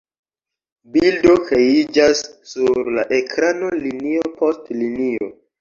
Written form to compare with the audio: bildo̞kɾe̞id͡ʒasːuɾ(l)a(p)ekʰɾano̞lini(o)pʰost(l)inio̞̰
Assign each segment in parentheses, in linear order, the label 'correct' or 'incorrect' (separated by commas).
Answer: correct, incorrect, correct, correct